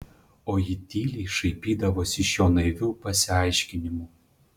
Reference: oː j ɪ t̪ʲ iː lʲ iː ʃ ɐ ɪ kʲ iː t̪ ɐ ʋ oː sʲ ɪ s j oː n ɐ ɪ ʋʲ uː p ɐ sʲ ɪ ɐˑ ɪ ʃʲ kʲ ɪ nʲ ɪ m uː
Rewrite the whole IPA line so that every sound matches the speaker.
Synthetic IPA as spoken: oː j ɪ t̪ʲ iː lʲ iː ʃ ɐ ɪ pʲ iː d̪ ɐ ʋ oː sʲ ɪ ʃ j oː n ɐ ɪ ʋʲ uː p ɐ sʲ ɪ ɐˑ ɪ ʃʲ kʲ ɪ nʲ ɪ m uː